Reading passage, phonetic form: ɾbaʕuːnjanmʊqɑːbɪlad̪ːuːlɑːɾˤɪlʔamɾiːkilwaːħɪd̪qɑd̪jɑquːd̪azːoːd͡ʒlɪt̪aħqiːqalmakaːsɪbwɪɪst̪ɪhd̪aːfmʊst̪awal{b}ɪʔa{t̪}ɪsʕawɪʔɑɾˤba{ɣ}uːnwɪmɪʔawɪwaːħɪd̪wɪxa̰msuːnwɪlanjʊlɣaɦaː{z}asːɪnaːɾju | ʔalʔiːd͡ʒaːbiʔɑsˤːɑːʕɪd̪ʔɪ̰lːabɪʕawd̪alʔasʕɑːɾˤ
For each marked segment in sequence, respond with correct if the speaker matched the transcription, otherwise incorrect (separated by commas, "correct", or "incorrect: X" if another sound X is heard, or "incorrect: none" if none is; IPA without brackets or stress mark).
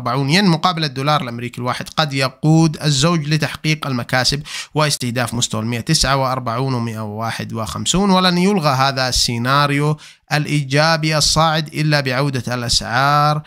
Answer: incorrect: m, correct, incorrect: ʕ, incorrect: ð